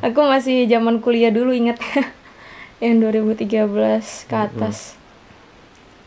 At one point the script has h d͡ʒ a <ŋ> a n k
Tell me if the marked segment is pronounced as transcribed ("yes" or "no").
no